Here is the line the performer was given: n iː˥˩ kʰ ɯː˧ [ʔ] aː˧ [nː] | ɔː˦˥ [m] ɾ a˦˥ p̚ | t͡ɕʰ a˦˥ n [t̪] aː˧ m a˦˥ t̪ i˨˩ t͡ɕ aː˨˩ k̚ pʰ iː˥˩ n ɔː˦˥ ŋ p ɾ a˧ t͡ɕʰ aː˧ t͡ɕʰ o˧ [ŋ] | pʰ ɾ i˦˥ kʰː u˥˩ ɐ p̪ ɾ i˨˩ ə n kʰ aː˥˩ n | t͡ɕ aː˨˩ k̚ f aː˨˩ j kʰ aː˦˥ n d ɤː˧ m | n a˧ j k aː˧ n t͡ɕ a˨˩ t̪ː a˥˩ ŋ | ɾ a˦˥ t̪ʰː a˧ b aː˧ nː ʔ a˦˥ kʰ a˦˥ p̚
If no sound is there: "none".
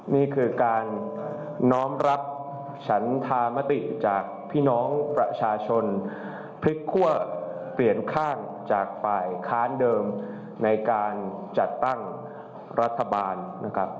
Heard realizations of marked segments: k, nː, m, t̪ʰ, n

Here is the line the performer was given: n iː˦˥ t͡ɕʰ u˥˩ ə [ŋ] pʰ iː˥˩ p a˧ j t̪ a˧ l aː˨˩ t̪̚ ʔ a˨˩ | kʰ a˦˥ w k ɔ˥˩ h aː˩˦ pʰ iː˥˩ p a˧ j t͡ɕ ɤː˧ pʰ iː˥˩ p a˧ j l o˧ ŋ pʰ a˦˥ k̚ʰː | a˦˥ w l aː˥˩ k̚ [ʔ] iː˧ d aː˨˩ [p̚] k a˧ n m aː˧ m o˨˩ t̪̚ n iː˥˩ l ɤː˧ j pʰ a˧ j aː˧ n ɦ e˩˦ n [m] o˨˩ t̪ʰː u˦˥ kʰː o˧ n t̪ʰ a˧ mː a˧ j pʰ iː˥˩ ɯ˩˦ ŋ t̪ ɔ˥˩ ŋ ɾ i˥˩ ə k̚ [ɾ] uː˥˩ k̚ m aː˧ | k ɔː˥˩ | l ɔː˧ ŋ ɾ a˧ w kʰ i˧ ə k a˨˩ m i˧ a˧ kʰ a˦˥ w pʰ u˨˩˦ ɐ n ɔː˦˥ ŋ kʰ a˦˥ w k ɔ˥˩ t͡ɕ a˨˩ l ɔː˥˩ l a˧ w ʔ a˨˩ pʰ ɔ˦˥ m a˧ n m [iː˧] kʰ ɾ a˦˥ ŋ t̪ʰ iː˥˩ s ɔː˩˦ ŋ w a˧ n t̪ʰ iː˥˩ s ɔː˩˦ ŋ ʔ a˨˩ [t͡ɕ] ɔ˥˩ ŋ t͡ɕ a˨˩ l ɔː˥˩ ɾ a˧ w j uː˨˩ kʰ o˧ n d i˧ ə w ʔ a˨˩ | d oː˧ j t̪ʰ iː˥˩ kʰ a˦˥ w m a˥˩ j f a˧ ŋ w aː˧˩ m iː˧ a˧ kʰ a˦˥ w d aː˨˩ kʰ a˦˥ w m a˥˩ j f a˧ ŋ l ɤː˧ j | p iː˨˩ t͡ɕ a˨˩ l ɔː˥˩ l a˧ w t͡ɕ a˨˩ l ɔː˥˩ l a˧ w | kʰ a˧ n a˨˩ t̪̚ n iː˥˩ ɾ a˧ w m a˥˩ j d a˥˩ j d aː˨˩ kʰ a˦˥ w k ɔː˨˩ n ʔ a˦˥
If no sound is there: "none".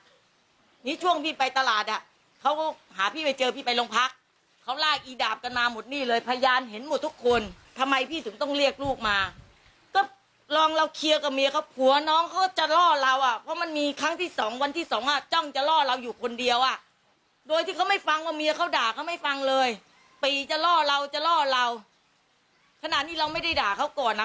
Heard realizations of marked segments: ŋ, ʔ, p̚, m, l, iː˧, t͡ɕ

